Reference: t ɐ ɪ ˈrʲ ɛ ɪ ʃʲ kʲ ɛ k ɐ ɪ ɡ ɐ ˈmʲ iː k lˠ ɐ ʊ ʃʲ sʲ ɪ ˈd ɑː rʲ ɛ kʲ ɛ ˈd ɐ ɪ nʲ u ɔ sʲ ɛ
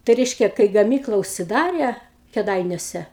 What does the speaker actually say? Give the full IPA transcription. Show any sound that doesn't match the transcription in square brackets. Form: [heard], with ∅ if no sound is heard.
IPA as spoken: t ɐ ɪ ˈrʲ ɛ ɪ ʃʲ kʲ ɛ k ɐ ɪ ɡ ɐ ˈmʲ iː k lˠ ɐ ʊ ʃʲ sʲ ɪ ˈd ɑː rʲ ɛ kʲ ɛ ˈd ɐ ɪ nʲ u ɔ sʲ ɛ